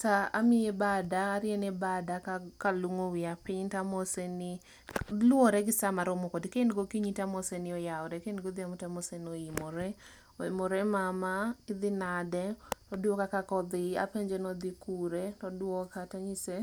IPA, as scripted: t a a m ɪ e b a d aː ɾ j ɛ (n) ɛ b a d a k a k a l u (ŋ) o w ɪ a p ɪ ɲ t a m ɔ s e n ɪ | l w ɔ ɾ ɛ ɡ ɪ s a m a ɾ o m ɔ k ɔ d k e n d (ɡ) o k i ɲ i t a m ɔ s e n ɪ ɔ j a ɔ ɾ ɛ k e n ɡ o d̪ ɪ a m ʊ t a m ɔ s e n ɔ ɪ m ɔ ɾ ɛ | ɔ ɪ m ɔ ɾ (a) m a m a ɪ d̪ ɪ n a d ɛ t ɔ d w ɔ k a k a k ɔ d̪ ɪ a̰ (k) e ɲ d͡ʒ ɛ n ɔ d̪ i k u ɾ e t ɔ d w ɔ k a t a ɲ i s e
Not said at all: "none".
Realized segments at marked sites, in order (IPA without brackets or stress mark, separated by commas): n, ŋ, ɡ, ɛ, p